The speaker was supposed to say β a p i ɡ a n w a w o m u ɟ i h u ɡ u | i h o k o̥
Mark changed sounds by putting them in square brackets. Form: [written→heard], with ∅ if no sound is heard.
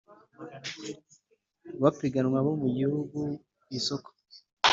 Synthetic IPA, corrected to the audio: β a p i ɡ a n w a [w→β] o m u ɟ i h u ɡ u | i [h→s] o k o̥